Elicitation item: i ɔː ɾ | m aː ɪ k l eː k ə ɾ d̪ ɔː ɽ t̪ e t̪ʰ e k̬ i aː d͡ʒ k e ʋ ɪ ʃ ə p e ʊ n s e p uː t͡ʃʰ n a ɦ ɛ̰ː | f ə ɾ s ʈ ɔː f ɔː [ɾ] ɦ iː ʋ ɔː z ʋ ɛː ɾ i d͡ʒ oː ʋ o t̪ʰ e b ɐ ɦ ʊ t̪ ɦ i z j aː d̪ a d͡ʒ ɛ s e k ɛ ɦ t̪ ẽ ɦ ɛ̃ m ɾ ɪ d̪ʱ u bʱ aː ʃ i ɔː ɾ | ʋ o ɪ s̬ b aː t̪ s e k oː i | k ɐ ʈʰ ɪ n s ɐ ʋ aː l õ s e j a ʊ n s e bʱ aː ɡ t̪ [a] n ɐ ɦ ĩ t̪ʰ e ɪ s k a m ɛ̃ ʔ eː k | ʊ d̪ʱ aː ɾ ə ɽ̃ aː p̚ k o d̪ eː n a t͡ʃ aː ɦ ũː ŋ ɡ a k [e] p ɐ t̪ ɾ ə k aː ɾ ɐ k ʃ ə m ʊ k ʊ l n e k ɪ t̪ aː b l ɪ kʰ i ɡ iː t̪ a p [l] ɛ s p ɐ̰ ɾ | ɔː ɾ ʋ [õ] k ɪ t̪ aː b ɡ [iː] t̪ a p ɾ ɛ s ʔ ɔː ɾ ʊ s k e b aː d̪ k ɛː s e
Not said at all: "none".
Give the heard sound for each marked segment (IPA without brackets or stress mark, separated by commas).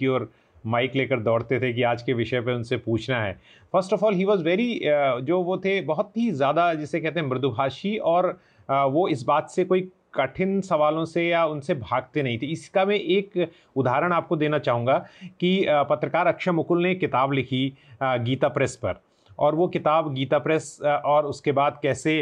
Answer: l, e, i, ɾ, o, iː